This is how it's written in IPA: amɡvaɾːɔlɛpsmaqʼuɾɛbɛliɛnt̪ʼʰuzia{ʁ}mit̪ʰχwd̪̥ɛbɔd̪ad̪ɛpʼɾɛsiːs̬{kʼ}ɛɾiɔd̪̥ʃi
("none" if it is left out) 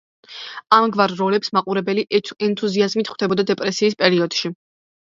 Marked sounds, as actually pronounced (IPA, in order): z, pʼ

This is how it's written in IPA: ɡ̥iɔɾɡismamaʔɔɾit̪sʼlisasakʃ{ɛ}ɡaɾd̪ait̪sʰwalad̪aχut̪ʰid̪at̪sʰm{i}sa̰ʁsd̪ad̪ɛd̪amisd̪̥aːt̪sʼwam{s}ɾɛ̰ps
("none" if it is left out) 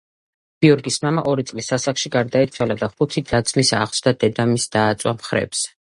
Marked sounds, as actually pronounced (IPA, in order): i, i, χ

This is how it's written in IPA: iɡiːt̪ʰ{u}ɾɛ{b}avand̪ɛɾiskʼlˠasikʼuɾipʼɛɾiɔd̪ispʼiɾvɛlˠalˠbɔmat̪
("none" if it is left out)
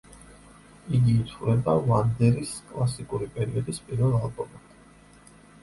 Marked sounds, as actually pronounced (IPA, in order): u, b

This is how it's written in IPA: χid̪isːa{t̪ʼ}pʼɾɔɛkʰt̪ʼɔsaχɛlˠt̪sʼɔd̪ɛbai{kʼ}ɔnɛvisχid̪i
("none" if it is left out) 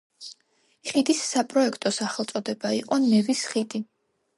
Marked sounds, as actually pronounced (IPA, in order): none, qʼ

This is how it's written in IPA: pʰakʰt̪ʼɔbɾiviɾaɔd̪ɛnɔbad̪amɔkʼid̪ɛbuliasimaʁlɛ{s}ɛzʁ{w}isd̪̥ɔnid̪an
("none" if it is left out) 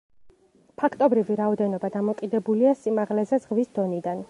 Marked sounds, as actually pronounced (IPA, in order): z, v

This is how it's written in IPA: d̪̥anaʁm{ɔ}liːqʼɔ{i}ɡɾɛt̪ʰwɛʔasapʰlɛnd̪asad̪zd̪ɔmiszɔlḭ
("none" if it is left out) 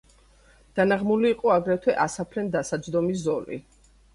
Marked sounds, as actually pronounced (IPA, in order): u, a

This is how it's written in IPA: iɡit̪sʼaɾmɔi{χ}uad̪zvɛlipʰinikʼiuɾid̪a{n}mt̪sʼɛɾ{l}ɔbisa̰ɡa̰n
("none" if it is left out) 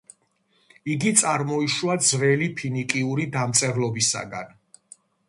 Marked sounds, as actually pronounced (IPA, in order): ʃ, none, l

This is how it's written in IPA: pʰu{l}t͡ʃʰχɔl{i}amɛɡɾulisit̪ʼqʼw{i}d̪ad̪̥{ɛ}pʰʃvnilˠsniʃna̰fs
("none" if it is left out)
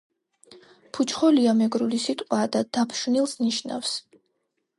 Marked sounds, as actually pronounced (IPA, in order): none, i, a, a

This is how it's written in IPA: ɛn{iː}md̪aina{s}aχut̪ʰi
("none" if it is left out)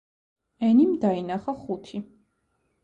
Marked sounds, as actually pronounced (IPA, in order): i, χ

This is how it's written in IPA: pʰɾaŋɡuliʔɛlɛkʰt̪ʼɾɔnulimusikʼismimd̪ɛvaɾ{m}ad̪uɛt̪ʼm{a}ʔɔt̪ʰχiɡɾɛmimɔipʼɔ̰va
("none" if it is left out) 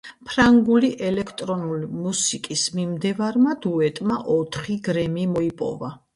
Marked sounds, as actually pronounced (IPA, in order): m, a

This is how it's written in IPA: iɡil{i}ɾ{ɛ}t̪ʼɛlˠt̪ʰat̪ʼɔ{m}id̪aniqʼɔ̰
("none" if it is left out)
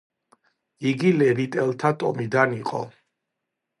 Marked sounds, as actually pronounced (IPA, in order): ɛ, i, m

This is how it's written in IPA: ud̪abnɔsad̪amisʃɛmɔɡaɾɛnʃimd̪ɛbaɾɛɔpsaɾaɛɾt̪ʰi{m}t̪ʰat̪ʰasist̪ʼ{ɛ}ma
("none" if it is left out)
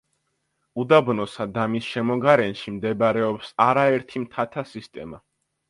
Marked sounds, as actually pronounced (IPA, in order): m, ɛ

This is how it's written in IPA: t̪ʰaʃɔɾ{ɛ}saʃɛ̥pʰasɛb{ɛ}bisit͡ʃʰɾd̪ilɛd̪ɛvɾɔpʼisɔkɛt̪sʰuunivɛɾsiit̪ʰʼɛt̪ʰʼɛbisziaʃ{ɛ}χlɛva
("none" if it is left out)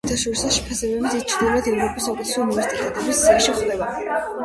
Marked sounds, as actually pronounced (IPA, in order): i, ɛ, i

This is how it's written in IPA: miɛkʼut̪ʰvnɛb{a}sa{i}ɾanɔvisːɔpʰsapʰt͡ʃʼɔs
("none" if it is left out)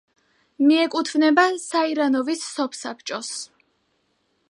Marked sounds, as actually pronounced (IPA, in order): a, i

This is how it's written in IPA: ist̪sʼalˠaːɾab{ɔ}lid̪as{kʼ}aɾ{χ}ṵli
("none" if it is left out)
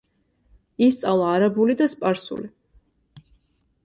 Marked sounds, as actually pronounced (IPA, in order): u, pʼ, s

